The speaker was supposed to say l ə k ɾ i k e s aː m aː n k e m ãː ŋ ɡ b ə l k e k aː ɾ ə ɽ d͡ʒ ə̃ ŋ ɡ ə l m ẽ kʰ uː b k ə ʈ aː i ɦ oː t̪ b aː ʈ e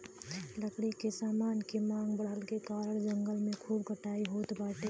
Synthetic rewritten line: l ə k ɽ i k e s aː m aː n k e m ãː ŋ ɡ b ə l k e k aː ɾ ə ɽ d͡ʒ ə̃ ŋ ɡ ə l m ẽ kʰ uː b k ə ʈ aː i ɦ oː t̪ b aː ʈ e